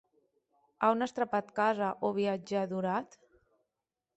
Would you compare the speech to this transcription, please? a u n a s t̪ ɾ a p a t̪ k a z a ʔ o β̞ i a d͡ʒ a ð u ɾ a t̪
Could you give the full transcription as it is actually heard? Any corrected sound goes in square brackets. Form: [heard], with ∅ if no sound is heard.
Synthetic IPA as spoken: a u n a s t̪ ɾ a p a t̪ k a z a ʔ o β̞ i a d͡ʒ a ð u ɾ a t̪